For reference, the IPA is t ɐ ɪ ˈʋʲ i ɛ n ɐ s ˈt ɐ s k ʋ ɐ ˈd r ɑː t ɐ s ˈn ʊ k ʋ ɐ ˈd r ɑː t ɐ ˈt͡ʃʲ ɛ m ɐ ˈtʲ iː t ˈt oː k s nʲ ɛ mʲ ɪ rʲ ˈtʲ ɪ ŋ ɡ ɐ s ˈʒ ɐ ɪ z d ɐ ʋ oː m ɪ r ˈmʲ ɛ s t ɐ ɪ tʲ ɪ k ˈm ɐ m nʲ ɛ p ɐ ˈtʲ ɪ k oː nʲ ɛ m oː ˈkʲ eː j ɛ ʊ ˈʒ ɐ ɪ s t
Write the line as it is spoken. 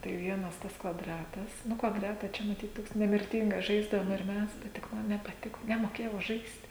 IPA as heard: t ɐ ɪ ˈʋʲ i ɛ n ɐ s ˈt ɐ s k ʋ ɐ ˈd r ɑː t ɐ s ˈn ʊ k ʋ ɐ ˈd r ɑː t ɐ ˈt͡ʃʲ ɛ m ɐ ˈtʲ iː t ˈt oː k s nʲ ɛ mʲ ɪ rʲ ˈtʲ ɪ ŋ ɡ ɐ s ˈʒ ɐ ɪ z d ɐ ʋ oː m ɪ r ˈmʲ ɛ s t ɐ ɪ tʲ ɪ k ˈm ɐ n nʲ ɛ p ɐ ˈtʲ ɪ k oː nʲ ɛ m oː ˈkʲ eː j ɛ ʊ ˈʒ ɐ ɪ s t

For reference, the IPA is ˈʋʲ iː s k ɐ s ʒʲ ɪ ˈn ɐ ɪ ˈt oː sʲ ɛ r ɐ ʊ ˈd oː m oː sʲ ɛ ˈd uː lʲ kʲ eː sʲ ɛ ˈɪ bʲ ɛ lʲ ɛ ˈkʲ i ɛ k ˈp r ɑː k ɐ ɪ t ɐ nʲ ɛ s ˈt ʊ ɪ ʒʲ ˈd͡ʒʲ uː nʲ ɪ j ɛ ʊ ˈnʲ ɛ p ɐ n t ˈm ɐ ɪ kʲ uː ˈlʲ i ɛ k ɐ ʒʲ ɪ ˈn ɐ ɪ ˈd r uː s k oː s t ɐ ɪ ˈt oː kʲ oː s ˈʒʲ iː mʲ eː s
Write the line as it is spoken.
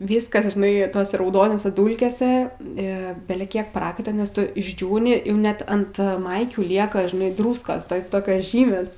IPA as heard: ˈʋʲ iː s k ɐ s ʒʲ ɪ ˈn ɐ ɪ ˈt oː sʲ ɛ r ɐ ʊ ˈd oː n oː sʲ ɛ ˈd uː lʲ kʲ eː sʲ ɛ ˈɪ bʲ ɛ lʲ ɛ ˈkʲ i ɛ k ˈp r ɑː k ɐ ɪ t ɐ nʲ ɛ s ˈt ʊ ɪ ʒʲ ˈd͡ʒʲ uː nʲ ɪ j ɛ ʊ ˈnʲ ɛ t ɐ n t ˈm ɐ ɪ kʲ uː ˈlʲ i ɛ k ɐ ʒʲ ɪ ˈn ɐ ɪ ˈd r uː s k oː s t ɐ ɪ ˈt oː kʲ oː s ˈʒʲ iː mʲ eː s

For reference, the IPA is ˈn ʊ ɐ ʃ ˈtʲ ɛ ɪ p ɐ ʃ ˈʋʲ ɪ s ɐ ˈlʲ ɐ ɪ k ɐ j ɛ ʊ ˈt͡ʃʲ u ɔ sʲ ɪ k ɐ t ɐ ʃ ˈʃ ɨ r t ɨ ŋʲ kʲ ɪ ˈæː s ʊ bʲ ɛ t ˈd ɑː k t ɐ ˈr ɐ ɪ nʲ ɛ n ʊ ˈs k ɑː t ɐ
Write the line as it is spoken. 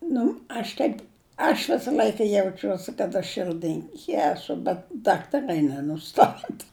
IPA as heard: ˈn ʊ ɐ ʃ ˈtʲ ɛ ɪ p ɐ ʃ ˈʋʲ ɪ s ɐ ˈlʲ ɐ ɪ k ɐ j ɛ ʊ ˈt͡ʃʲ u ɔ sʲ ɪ k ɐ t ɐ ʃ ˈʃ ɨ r d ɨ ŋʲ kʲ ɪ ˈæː s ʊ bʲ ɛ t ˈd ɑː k t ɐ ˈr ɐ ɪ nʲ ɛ n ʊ ˈs t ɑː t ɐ

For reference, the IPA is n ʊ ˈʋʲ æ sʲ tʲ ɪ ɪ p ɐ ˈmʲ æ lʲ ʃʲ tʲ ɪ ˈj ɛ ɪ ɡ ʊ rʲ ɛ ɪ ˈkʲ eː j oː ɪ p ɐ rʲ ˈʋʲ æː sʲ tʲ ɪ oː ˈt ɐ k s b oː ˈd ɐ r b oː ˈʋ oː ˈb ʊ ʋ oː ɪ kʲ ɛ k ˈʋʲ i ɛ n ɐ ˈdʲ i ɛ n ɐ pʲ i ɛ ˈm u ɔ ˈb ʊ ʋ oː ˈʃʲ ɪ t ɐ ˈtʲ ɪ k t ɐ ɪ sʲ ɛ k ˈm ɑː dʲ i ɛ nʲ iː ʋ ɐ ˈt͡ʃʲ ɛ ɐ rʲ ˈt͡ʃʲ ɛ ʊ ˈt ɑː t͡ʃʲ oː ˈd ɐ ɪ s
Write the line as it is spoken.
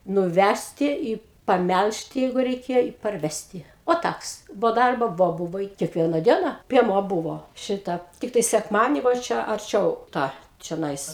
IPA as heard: n ʊ ˈʋʲ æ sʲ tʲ ɪ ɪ p ɐ ˈmʲ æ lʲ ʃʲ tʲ ɪ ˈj ɛ ɪ ɡ ʊ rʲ ɛ ɪ ˈkʲ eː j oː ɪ p ɐ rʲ ˈʋʲ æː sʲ tʲ ɪ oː ˈt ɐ k s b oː ˈd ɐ r b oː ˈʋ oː ˈb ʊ ʋ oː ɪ kʲ ɛ k ˈʋʲ i ɛ n ɐ ˈdʲ i ɛ n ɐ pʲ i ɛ ˈm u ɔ ˈb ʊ ʋ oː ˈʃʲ ɪ t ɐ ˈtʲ ɪ k t ɐ ɪ sʲ ɛ k ˈm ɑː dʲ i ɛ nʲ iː ʋ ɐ ˈt͡ʃʲ ɛ ɐ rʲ ˈt͡ʃʲ ɛ ʊ ˈt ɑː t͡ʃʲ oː ˈn ɐ ɪ s

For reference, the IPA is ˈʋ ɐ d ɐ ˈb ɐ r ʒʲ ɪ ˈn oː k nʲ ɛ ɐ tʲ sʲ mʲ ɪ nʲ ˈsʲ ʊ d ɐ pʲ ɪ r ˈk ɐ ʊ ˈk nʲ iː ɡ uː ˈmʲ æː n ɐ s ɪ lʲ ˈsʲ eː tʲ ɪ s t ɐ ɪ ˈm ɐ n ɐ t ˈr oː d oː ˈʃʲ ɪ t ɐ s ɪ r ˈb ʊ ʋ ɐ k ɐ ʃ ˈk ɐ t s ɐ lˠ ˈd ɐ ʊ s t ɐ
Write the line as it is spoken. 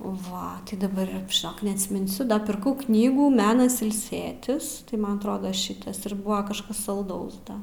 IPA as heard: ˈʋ ɐ d ɐ ˈb ɐ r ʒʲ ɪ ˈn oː k nʲ ɛ ɐ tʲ sʲ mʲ ɪ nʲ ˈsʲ ʊ d ɐ pʲ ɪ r ˈk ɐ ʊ ˈk nʲ iː ɡ uː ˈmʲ æː n ɐ s ɪ lʲ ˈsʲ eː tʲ ɪ s t ɐ ɪ ˈm ɐ n ɐ t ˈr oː d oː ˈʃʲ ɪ t ɐ s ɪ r ˈb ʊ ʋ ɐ k ɐ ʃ ˈk ɐ s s ɐ lˠ ˈd ɐ ʊ s d ɐ

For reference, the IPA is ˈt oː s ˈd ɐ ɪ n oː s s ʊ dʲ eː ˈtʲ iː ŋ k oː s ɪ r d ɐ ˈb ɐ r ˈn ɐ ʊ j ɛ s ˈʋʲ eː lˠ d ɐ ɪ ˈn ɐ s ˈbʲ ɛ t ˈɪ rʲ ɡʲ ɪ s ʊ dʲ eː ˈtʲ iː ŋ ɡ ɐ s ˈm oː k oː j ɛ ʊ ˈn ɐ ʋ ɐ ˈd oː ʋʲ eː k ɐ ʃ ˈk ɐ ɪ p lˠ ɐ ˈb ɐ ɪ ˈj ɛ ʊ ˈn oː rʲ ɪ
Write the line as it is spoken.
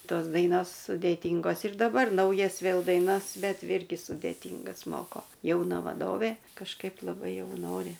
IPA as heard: ˈt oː s ˈd ɐ ɪ n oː s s ʊ dʲ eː ˈtʲ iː ŋ ɡ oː s ɪ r d ɐ ˈb ɐ r ˈn ɐ ʊ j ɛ s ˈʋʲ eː lˠ d ɐ ɪ ˈn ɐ s ˈbʲ ɛ t ˈɪ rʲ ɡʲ ɪ s ʊ dʲ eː ˈtʲ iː ŋ ɡ ɐ s ˈm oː k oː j ɛ ʊ ˈn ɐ ʋ ɐ ˈd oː ʋʲ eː k ɐ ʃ ˈk ɐ ɪ p lˠ ɐ ˈb ɐ ɪ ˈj ɛ ʊ ˈn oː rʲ ɪ

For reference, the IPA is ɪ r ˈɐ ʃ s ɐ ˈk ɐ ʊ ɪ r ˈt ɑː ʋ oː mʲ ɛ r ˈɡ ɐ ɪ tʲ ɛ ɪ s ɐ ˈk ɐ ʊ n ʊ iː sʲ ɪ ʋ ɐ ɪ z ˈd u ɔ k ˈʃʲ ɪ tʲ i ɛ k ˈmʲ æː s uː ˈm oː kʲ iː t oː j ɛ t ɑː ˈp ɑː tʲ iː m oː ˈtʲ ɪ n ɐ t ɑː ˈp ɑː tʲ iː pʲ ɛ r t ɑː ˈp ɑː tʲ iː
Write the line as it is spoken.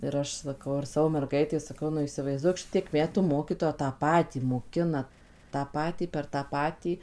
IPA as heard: ɪ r ˈɐ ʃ s ɐ ˈk ɐ ʊ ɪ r ˈs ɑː ʋ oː mʲ ɛ r ˈɡ ɐ ɪ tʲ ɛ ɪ s ɐ ˈk ɐ ʊ n ʊ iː sʲ ɪ ʋ ɐ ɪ z ˈd u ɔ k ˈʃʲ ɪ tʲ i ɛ k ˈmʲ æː t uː ˈm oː kʲ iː t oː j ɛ t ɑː ˈp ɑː tʲ iː m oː ˈkʲ ɪ n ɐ t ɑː ˈp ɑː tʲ iː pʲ ɛ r t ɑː ˈp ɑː tʲ iː

